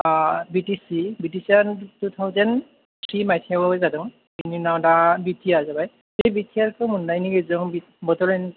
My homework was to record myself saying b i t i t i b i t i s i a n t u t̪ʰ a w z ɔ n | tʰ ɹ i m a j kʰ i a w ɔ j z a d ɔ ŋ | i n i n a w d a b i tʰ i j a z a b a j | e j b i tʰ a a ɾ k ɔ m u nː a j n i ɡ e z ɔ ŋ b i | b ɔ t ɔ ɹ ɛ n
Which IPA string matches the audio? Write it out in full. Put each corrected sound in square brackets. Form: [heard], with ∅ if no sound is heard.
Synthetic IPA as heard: b i t i [s] i b i t i s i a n t u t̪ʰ a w z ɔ n | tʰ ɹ i m a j [tʰ] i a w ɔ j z a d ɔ ŋ | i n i n a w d a b i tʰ i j a z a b a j | e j b i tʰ [i] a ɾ k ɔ m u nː a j n i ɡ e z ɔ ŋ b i | b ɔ t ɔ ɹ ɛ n